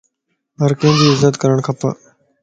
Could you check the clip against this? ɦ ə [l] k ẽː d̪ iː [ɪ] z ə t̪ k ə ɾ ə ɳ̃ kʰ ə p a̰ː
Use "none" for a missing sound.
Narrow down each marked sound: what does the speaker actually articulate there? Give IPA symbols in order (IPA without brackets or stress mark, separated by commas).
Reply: ɾ, ɪ